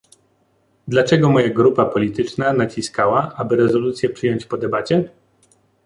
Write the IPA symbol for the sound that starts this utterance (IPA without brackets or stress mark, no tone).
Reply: d̪